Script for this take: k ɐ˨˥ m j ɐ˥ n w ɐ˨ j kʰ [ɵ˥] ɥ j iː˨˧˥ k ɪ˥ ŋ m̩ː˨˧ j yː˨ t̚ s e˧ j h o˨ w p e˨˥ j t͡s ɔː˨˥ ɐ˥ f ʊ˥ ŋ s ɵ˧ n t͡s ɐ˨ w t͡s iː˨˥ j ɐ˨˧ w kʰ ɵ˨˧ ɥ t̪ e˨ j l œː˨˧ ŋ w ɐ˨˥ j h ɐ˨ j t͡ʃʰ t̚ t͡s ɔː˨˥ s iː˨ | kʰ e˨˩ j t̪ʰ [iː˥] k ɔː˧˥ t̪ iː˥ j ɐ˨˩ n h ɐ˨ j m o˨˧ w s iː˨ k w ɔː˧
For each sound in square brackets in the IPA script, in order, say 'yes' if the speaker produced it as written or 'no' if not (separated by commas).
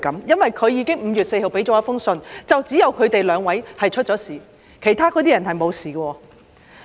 no, no